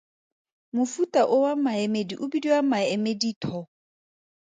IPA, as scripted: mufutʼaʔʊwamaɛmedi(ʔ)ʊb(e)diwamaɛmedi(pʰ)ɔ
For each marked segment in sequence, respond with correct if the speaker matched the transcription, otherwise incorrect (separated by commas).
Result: correct, incorrect, incorrect